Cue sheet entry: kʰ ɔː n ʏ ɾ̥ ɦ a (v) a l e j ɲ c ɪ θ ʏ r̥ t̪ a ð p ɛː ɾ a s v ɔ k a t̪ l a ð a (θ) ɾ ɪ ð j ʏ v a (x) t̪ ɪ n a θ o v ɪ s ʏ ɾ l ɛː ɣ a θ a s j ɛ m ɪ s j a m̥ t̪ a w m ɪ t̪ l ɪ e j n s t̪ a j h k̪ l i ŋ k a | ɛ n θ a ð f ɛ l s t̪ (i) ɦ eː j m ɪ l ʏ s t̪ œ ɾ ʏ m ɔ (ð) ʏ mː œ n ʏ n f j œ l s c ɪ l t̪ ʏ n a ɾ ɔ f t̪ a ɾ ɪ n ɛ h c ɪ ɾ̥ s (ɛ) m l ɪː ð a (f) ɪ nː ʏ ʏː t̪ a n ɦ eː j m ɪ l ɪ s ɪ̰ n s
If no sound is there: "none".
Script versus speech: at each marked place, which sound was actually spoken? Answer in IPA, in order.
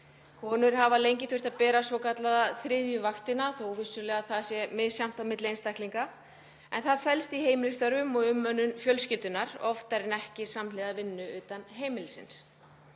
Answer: v, θ, x, i, ɣ, a, v

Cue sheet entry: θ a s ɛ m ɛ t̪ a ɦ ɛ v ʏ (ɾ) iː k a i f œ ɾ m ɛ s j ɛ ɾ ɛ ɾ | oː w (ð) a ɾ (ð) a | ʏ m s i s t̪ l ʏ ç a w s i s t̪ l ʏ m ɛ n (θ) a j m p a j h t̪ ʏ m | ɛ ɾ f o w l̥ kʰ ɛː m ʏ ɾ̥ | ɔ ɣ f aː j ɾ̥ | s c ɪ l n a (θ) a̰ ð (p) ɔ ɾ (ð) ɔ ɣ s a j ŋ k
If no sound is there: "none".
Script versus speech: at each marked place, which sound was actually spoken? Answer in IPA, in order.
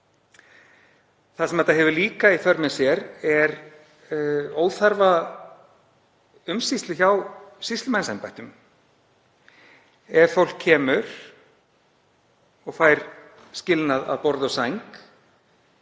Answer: l, θ, v, s, ð, p, ð

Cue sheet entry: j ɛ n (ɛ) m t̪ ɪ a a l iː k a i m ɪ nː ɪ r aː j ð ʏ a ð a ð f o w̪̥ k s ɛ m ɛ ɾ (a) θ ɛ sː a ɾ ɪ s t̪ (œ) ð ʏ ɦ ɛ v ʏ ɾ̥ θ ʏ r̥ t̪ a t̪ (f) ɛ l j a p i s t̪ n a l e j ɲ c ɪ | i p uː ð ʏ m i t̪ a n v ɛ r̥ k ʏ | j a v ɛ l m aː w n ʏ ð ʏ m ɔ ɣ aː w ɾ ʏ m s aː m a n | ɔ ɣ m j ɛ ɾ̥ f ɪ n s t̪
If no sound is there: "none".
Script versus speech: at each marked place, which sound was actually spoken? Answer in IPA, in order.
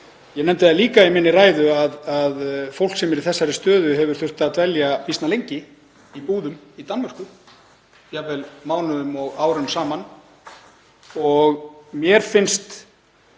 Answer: ɛ, i, œː, v

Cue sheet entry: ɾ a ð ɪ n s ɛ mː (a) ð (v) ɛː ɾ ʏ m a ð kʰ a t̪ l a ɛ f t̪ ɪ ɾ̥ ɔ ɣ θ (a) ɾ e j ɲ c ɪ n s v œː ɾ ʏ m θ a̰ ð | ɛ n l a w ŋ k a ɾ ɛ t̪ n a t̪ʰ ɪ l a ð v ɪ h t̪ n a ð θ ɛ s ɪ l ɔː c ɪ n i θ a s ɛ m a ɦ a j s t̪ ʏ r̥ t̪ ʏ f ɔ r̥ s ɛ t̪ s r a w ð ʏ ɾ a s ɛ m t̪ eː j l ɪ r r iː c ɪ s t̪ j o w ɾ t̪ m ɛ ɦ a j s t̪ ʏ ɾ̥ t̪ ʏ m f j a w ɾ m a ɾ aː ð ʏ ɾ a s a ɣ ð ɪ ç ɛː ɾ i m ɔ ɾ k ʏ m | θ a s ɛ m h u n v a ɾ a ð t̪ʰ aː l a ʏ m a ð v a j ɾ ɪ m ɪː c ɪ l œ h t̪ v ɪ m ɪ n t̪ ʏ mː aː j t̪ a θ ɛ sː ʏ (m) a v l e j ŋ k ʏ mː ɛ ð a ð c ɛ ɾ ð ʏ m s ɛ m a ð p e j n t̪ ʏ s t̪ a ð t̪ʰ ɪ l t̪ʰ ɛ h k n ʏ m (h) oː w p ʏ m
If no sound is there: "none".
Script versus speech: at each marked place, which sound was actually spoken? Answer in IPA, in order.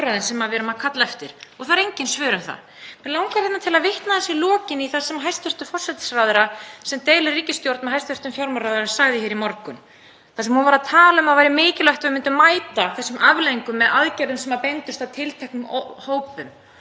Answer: a, v, a, m, h

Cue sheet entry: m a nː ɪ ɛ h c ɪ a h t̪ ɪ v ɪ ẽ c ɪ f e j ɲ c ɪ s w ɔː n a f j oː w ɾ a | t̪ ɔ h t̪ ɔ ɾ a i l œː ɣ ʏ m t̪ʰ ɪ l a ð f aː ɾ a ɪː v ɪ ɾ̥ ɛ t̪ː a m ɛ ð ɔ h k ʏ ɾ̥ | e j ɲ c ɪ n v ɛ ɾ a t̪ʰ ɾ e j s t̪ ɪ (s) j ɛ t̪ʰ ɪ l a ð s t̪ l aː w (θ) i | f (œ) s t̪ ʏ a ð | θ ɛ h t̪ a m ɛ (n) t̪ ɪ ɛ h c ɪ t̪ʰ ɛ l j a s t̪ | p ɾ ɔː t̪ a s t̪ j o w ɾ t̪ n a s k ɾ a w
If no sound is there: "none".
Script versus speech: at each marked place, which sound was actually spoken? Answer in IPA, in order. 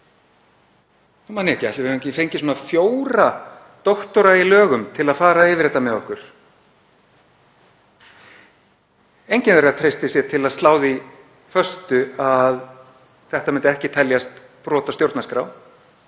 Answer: s, ð, œ, n

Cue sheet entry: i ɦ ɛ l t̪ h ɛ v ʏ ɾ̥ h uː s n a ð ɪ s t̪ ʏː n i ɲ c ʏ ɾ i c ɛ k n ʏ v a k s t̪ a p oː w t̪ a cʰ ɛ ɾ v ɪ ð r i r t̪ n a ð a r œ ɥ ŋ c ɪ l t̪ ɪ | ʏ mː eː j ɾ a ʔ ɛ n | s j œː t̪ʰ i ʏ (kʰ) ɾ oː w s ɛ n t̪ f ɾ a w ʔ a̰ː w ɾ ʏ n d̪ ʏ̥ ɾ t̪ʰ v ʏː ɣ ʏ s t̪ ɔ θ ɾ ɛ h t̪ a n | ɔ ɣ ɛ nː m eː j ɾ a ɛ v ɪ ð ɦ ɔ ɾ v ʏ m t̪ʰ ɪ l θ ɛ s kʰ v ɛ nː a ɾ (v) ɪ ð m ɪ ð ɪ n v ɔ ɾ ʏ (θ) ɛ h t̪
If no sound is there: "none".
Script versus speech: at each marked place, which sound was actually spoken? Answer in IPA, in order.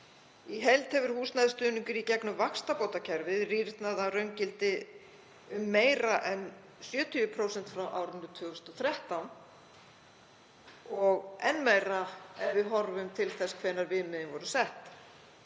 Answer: pʰ, v, s

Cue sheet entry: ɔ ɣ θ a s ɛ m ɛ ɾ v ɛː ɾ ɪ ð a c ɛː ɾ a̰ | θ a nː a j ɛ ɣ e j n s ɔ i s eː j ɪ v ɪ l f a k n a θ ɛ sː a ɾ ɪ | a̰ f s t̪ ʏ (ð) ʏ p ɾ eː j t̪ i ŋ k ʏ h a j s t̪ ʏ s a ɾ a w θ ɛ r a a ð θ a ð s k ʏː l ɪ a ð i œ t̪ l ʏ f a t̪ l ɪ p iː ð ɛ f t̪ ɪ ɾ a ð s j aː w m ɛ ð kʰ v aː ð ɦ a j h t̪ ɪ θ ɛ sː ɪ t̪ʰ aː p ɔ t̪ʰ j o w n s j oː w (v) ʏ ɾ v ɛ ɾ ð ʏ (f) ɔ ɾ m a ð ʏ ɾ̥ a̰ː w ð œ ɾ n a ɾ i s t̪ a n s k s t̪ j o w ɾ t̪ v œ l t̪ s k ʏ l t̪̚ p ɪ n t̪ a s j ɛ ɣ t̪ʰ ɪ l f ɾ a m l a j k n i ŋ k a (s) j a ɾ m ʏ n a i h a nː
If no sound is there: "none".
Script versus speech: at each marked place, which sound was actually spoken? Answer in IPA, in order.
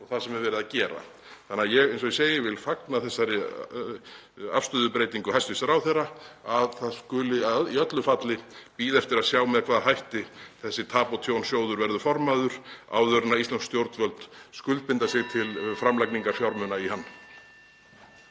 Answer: ð, ð, f, f

